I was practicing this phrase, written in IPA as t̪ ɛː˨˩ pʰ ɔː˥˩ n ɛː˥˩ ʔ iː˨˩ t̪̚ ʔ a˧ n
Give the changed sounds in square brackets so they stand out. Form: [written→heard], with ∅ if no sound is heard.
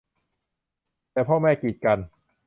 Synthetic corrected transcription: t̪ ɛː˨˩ pʰ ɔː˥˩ [n→m] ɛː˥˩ [ʔ→k] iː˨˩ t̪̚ [ʔ→k] a˧ n